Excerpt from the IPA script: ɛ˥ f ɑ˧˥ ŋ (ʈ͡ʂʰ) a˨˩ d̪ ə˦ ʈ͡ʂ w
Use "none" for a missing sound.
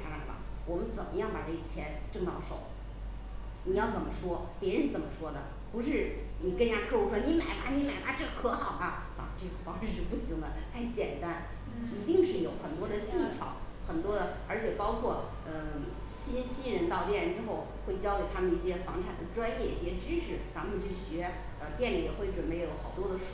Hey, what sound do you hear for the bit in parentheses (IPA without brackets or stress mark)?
ʈ͡ʂʰ